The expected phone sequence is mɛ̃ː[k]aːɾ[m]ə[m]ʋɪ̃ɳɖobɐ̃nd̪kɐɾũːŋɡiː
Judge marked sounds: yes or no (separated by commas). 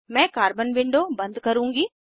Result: yes, no, no